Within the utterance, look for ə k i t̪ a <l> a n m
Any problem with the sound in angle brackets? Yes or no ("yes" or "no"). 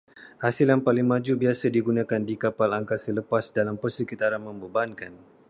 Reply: yes